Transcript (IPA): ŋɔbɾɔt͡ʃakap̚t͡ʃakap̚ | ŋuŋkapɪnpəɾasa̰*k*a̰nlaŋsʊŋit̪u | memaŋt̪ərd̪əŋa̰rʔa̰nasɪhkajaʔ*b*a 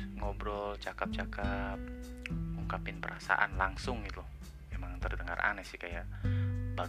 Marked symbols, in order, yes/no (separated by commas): no, yes